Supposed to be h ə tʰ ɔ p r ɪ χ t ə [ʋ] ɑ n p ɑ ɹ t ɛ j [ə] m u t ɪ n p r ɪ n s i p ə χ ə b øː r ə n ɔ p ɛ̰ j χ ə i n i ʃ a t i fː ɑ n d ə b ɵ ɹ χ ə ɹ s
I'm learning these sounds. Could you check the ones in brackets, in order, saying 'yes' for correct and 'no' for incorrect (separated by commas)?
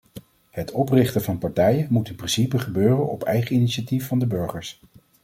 no, yes